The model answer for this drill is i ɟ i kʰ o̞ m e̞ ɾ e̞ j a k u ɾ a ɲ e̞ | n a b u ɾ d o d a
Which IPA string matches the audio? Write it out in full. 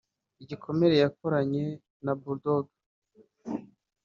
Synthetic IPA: i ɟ i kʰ o̞ m e̞ ɾ e̞ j a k o ɾ a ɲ e̞ | n a b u ɾ d o ɡ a